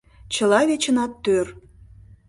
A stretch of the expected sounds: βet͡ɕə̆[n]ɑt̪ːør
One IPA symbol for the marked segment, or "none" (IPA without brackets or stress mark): n